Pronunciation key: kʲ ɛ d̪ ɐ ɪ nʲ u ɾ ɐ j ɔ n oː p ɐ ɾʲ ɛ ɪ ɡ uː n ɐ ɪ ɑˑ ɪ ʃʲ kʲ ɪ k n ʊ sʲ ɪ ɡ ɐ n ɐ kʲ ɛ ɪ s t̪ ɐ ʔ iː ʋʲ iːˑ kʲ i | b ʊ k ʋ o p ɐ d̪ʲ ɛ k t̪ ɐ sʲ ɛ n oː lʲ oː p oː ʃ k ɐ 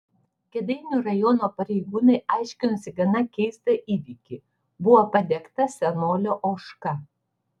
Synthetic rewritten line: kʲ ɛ d̪ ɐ ɪ nʲ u ɾ ɐ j ɔ n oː p ɐ ɾʲ ɛ ɪ ɡ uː n ɐ ɪ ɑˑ ɪ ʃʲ kʲ ɪ n ʊ sʲ ɪ ɡ ɐ n ɐ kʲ ɛ ɪ s t̪ ɐ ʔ iː ʋʲ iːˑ kʲ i | b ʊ ʋ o p ɐ d̪ʲ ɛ k t̪ ɐ sʲ ɛ n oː lʲ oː ʔ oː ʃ k ɐ